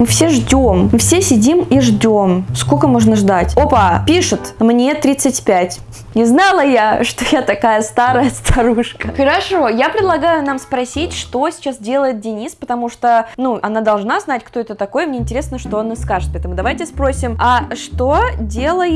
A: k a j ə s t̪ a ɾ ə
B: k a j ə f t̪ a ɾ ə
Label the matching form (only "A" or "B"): A